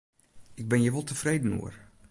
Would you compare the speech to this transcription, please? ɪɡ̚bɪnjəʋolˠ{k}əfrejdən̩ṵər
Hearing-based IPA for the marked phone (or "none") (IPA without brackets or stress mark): t